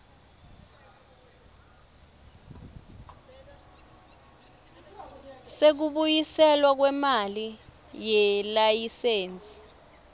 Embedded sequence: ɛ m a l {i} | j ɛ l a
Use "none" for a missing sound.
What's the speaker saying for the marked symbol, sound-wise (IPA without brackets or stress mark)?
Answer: i